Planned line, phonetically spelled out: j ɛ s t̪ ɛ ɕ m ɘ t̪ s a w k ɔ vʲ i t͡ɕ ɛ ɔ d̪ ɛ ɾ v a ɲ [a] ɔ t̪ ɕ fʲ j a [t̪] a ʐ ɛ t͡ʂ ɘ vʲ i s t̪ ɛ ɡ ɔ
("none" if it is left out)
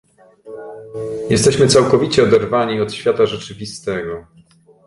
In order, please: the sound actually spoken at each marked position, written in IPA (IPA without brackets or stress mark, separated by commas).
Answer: i, t̪